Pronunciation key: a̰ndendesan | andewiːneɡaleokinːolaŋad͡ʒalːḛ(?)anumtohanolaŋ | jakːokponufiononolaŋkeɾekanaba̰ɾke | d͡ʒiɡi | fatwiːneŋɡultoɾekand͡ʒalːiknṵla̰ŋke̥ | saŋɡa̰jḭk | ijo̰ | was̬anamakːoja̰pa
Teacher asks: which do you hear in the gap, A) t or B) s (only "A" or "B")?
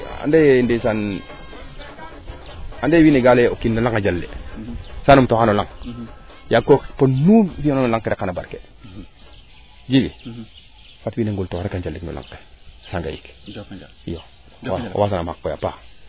B